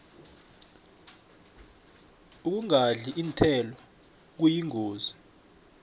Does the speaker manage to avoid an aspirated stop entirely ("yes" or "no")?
no